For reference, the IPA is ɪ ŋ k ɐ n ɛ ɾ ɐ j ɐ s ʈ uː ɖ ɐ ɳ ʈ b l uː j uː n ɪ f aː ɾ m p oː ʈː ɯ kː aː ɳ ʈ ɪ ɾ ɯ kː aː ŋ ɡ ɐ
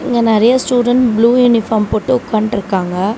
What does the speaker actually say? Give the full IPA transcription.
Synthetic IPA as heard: ɪ ŋ ɡ ɐ n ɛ ɾ ɐ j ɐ s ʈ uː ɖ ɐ ɳ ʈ b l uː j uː n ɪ f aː ɾ m p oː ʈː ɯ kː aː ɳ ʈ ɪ ɾ ɯ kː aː ŋ ɡ ɐ